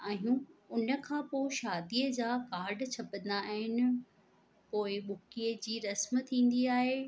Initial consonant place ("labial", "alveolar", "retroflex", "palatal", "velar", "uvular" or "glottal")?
glottal